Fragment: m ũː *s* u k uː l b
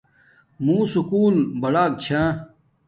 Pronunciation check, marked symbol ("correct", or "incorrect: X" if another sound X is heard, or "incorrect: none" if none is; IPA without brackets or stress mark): correct